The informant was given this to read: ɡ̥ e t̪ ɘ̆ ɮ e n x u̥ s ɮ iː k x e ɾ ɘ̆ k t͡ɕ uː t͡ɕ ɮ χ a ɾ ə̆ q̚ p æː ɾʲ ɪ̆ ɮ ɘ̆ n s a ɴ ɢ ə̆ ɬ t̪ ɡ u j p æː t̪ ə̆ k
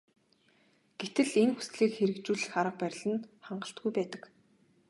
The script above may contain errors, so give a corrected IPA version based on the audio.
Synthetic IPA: ɡ̥ e t̪ ɘ̆ ɮ e n x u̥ s ɮ iː k x e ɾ ɘ̆ k t͡ɕ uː ɮ χ a ɾ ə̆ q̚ p æ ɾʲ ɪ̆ ɮ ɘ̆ n χ a ɴ ɢ ə̆ ɬ t̪ ɡ u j p æː t̪ ə̆ k